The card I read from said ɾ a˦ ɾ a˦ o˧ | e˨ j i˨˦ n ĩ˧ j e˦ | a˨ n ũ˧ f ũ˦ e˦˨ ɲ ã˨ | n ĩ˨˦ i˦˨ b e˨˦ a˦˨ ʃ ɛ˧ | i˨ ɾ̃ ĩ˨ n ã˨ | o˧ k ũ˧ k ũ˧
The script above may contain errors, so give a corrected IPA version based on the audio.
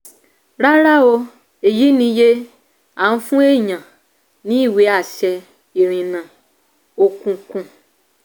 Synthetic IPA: ɾ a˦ ɾ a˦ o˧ | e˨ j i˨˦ n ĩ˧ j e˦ | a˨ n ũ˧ f ũ˦ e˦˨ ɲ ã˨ | n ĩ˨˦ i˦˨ w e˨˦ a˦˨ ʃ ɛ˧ | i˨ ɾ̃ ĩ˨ n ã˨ | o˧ k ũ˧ k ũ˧